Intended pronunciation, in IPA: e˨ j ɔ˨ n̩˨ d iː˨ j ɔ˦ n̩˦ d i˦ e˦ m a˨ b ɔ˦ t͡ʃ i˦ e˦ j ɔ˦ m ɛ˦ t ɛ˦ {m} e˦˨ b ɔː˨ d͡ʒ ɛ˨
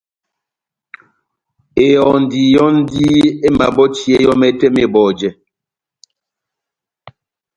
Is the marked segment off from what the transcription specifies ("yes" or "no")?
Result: no